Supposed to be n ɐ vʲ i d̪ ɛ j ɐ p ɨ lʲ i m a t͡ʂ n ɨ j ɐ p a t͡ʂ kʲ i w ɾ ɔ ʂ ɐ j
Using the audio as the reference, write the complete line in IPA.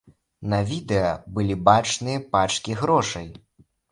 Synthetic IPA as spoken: n ɐ vʲ i d̪ ɛ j ɐ b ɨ lʲ i b a t͡ʂ n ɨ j ɐ p a t͡ʂ kʲ i ɣ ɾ ɔ ʂ ɐ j